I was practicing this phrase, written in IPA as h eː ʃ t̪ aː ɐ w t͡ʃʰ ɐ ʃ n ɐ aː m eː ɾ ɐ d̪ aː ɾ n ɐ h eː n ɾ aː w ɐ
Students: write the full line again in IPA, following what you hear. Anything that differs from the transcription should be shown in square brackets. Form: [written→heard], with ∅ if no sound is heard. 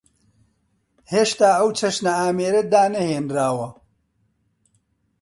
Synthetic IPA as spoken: h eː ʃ t̪ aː ɐ w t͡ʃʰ ɐ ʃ n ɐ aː m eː ɾ ɐ d̪ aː [ɾ→∅] n ɐ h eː n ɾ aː w ɐ